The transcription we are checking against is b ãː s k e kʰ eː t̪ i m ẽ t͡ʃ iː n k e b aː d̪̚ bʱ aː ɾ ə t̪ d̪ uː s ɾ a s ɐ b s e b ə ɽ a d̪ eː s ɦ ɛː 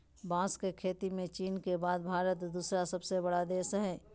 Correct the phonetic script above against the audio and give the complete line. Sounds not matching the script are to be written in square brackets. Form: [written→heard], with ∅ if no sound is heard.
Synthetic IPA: b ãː s k e kʰ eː t̪ i m ẽ t͡ʃ iː n k e b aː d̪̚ bʱ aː ɾ ə t̪ d̪ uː s ɾ a s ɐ b s e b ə ɽ a d̪ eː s ɦ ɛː